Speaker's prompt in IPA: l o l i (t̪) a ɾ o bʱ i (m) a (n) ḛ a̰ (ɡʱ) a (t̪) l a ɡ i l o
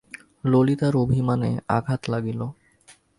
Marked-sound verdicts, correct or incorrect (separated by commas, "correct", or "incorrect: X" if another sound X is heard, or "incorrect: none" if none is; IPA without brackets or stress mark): correct, correct, correct, correct, correct